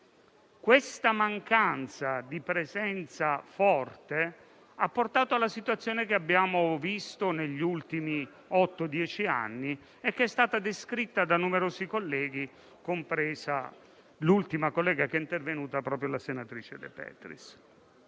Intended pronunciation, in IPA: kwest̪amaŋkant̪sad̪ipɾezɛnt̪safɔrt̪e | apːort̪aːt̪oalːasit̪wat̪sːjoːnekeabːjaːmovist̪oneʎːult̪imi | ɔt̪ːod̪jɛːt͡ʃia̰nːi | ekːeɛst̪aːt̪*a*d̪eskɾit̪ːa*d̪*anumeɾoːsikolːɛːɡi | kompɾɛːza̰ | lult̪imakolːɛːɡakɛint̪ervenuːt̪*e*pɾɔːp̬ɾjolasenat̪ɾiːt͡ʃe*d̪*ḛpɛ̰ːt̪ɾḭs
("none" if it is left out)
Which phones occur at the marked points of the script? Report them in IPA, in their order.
a, d̪, a, d̪

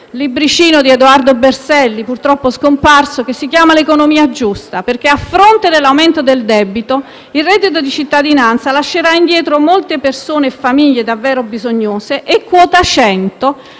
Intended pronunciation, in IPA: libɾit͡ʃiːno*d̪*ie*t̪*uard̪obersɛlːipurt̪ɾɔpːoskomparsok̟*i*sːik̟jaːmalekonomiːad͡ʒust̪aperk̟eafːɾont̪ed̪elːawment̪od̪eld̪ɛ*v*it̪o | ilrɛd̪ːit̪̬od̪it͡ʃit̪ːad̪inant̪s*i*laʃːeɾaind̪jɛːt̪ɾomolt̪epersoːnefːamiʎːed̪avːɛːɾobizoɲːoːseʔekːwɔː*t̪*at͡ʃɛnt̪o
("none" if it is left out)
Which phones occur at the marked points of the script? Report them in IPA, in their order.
d̪, d̪, e, b, a, t̪

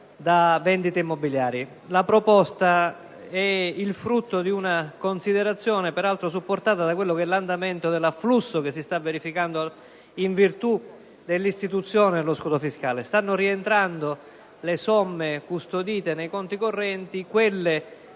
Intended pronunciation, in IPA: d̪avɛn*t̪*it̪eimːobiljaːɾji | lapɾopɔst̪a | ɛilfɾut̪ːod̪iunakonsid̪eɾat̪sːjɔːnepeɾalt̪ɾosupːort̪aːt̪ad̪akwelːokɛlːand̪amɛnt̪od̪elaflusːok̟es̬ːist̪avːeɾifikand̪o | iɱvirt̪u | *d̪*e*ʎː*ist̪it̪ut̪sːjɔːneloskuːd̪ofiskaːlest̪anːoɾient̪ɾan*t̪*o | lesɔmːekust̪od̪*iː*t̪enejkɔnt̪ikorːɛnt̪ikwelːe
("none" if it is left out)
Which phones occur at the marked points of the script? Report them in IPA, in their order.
d̪, d̪, lː, d̪, iː

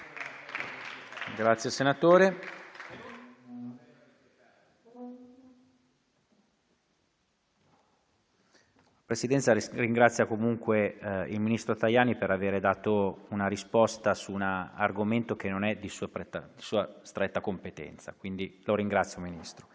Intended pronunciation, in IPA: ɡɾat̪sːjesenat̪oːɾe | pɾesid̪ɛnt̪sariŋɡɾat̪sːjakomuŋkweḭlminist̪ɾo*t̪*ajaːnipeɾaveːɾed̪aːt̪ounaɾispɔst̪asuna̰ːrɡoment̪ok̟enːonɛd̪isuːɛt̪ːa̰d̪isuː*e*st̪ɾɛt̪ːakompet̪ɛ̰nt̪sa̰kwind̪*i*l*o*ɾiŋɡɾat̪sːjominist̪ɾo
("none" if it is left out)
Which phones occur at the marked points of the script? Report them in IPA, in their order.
t̪, a, i, o

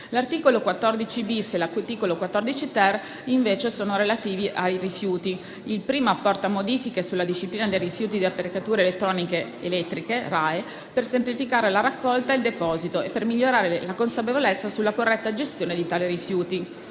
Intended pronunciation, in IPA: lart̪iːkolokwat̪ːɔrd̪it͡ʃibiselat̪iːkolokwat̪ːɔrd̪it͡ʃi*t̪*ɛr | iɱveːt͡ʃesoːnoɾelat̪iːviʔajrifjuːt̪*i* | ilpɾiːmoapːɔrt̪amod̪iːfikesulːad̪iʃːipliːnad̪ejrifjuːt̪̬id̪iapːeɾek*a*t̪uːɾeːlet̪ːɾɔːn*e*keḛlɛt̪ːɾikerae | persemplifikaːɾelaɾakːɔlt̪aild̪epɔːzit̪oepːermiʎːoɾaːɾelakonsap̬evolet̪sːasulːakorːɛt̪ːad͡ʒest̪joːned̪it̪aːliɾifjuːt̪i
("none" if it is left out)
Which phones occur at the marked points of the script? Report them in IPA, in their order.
t̪, i, a, i

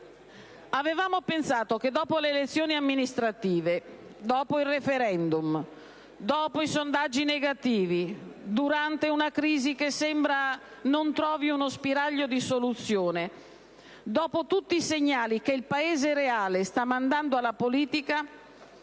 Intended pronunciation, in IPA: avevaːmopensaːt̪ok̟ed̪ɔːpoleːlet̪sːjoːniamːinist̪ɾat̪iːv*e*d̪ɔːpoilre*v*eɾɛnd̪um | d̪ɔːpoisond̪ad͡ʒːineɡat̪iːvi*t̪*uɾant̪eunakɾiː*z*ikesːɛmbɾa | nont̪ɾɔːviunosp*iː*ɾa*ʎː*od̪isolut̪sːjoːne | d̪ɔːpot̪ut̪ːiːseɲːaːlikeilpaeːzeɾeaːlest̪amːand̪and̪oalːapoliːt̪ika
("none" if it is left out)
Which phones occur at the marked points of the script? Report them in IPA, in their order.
e, f, d̪, z, i, ʎː

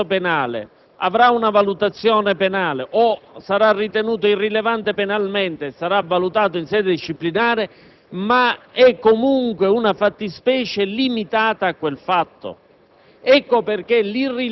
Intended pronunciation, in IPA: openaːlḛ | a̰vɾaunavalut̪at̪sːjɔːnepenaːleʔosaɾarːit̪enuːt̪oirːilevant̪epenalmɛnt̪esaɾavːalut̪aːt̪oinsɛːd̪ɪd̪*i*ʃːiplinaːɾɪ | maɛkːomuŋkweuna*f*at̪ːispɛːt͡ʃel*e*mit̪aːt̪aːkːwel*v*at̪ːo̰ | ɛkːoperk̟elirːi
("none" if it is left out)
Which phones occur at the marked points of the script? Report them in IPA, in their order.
i, f, i, f

